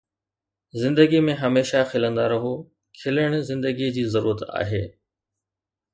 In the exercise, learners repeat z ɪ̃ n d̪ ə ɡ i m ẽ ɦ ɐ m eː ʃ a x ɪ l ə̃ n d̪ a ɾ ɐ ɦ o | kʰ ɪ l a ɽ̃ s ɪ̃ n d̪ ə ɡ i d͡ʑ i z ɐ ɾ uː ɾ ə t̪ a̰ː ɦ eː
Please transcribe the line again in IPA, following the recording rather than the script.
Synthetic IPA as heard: z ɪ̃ n d̪ ə ɡ i m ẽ ɦ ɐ m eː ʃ a x ɪ l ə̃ n d̪ a ɾ ɐ ɦ o | kʰ ɪ l ə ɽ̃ z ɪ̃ n d̪ ə ɡ i d͡ʑ iː z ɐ ɾ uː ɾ ə t̪ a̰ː ɦ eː

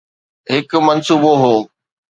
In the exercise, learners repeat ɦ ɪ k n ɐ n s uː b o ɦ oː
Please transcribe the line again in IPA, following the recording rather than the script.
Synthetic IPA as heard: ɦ ɪ k m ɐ n s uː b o ɦ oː

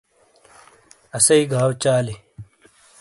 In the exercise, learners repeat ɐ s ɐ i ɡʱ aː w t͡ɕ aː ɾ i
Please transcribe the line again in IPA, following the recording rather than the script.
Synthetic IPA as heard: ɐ s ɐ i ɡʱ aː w t͡ɕ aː l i

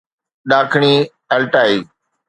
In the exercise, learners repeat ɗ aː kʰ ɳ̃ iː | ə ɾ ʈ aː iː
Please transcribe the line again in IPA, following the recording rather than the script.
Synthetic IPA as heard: ɗ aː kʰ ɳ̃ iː | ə l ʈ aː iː

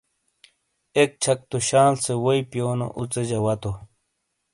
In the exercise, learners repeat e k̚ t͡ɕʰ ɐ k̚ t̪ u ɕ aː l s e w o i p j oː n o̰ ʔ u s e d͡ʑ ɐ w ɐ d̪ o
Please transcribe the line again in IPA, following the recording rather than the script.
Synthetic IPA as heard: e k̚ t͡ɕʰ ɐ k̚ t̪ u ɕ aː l s e w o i p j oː n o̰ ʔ u t͡s e d͡ʑ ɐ w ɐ t̪ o

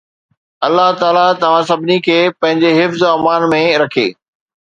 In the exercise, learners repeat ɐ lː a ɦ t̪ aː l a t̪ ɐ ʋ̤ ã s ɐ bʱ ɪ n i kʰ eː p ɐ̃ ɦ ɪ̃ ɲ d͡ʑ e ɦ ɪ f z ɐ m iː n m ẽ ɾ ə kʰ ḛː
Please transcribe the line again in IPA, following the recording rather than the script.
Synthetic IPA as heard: ɐ lː a ɦ t̪ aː l a t̪ ɐ ʋ̤ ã s ɐ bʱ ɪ n i kʰ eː p ɐ̃ ɦ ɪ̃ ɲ d͡ʑ e ɦ ɪ f z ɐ m aː n m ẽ ɾ ɐ kʰ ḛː

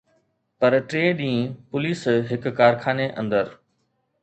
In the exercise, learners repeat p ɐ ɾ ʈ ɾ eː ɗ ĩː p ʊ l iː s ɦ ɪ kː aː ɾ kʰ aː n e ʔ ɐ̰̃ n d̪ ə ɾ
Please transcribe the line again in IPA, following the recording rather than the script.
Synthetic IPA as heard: p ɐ ɾ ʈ ɾ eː ɗ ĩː p ʊ l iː s ɦ ɪ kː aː ɾ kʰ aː n e ʔ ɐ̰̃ n d̪ ə ɾ

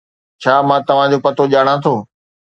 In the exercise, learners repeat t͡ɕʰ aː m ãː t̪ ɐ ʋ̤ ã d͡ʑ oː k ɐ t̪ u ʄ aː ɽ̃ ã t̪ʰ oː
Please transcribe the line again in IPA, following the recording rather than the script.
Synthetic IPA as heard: t͡ɕʰ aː m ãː t̪ ɐ ʋ̤ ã d͡ʑ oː p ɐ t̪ o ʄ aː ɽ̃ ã t̪ʰ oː

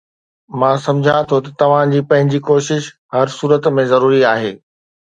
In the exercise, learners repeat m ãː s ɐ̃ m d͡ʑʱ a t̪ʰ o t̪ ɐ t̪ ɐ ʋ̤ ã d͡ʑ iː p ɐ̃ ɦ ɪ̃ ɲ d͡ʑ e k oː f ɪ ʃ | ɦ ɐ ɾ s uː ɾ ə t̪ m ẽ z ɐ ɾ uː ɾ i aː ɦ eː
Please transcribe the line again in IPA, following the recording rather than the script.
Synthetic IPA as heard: m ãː s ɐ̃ m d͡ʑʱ a t̪ʰ o t̪ ɐ t̪ ɐ ʋ̤ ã d͡ʑ iː p ɐ̃ ɦ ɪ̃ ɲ d͡ʑ i k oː ʃ ɪ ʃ | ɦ ɐ ɾ s uː ɾ ə t̪ m ẽ z ɐ ɾ uː ɾ i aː ɦ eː

